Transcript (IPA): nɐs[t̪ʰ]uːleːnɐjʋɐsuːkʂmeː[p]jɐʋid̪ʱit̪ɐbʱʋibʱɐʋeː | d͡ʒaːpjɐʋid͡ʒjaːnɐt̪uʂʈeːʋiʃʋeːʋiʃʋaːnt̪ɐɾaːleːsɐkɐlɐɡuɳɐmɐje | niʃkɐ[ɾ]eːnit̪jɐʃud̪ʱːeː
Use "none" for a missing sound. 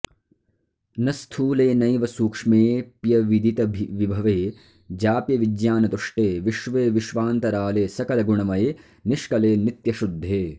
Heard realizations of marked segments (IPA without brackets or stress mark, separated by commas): t̪ʰ, p, l